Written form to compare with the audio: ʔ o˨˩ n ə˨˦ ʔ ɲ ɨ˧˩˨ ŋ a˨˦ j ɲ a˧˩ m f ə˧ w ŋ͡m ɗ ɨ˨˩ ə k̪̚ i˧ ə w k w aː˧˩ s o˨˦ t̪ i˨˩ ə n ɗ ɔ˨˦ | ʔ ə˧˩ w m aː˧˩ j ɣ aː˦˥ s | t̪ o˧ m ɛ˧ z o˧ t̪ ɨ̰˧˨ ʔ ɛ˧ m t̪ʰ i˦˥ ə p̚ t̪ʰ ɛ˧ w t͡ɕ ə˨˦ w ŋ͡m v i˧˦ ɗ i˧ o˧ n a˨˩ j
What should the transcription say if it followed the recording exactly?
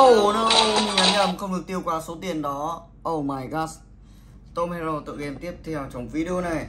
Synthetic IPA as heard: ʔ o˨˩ n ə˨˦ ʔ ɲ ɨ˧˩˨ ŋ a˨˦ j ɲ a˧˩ m x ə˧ w ŋ͡m ɗ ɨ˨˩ ə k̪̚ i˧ ə w k w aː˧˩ s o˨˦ t̪ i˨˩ ə n ɗ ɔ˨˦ | ʔ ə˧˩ w m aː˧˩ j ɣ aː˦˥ s | t̪ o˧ m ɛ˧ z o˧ t̪ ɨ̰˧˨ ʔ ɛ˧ m t̪ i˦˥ ə p̚ t̪ʰ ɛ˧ w t͡ɕ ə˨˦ w ŋ͡m v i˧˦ ɗ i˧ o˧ n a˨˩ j